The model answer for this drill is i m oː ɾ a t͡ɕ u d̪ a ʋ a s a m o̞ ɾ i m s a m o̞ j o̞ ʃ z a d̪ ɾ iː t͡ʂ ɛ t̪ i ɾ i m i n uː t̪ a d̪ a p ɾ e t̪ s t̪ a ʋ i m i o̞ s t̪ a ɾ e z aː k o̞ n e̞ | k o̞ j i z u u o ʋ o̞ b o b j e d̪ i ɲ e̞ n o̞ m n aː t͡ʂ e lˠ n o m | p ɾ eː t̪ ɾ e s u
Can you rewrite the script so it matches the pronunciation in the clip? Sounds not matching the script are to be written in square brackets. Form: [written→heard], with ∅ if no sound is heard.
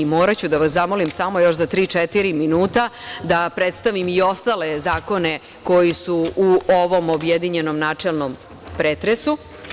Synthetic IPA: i m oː ɾ a t͡ɕ u d̪ a ʋ a s a m o̞ [ɾ→l] i m s a m o̞ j o̞ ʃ z a [d̪→t̪] ɾ iː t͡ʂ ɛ t̪ i ɾ i m i n uː t̪ a d̪ a p ɾ e t̪ s t̪ a ʋ i m i o̞ s t̪ a [ɾ→l] e z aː k o̞ n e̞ | k o̞ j i [z→s] u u o ʋ o̞ [b→m] o b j e d̪ i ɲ e̞ n o̞ m n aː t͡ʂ e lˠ n o m | p ɾ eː t̪ ɾ e s u